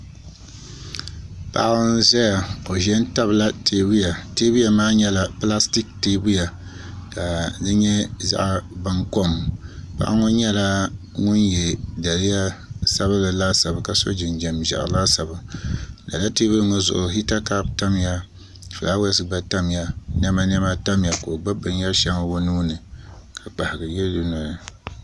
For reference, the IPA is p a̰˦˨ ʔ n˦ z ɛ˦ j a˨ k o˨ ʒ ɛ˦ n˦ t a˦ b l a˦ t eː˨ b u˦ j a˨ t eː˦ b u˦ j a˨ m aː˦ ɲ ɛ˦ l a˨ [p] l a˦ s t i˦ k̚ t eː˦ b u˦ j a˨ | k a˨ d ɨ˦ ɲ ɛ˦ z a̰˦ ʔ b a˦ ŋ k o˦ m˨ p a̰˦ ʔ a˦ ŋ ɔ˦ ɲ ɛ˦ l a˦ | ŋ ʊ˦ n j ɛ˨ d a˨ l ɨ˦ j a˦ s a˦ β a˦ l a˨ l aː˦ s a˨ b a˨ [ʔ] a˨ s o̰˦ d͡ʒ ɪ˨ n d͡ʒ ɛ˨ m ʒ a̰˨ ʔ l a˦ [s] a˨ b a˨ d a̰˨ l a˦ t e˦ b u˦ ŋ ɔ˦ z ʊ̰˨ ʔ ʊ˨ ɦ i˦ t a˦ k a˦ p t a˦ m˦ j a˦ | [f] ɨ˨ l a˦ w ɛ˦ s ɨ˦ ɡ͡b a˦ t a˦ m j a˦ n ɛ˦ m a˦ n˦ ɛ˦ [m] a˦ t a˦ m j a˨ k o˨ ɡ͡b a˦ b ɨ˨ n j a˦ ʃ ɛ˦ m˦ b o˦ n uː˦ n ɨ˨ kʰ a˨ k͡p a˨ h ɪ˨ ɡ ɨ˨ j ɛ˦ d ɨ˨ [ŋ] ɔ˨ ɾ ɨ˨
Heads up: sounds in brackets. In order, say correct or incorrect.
correct, incorrect: k, correct, correct, correct, incorrect: n

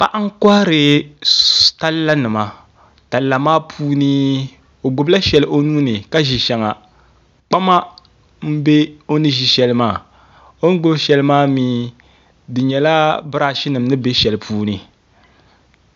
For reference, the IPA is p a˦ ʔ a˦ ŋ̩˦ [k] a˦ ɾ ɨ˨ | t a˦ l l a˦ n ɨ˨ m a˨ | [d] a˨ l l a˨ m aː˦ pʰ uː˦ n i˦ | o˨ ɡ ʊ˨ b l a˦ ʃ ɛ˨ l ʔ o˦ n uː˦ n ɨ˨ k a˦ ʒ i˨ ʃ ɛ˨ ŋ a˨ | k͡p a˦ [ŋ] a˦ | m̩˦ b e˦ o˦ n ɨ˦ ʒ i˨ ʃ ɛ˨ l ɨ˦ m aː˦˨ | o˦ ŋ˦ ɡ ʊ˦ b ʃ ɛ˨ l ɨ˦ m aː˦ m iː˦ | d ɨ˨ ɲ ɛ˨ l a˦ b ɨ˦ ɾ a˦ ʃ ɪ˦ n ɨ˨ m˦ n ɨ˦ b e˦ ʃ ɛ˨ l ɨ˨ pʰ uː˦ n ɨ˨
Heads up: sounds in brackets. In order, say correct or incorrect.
correct, incorrect: t, incorrect: m

